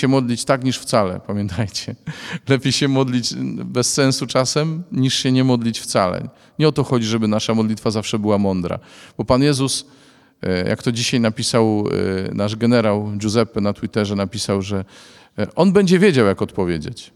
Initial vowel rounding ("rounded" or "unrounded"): unrounded